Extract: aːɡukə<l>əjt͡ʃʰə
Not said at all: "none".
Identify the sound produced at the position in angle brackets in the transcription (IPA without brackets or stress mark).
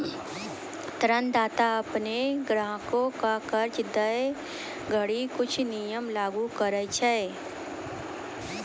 ɾ